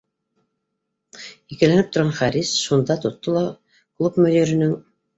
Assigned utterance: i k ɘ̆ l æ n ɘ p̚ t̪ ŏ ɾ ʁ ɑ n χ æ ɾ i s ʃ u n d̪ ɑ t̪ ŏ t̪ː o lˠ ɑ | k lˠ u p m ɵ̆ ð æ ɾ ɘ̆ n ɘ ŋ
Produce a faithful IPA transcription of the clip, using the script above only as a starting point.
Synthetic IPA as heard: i k ɘ̆ l æ n ɘ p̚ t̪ ŏ ɾ ʁ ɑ n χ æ ɾ i s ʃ u n d̪ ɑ t̪ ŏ t̪ː o lˠ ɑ | k lˠ u p m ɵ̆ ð i ɾ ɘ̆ n ɘ ŋ